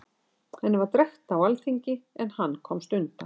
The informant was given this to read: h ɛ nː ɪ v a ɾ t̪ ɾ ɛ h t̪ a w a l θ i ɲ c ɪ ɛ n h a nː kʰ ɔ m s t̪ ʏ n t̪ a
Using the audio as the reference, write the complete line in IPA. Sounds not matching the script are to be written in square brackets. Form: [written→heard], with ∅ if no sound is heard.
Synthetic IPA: h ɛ nː ɪ v a ɾ t̪ ɾ ɛ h t̪ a w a l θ i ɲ c ɪ ɛ n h a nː kʰ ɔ m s t̪ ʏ n t̪ a